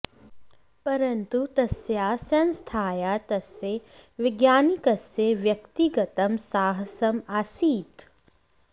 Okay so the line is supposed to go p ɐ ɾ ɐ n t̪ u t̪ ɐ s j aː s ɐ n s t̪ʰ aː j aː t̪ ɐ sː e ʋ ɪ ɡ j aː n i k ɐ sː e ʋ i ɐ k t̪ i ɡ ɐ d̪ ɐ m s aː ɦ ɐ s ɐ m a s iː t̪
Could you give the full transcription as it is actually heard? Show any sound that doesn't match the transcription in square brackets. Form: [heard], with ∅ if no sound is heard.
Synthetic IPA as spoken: p ɐ ɾ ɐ n t̪ u t̪ ɐ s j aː s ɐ n s t̪ʰ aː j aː t̪ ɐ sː e ʋ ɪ ɡ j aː n i k ɐ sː e ʋ [j] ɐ k t̪ i ɡ ɐ [t̪] ɐ m s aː ɦ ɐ s ɐ m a s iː t̪